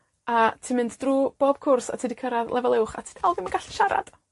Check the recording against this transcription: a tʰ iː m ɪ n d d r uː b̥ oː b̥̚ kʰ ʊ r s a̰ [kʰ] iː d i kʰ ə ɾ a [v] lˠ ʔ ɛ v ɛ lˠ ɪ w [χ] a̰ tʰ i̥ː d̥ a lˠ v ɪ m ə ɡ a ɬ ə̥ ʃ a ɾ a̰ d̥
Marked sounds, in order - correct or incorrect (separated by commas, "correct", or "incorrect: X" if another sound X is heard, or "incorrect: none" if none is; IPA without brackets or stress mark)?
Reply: incorrect: tʰ, incorrect: ð, correct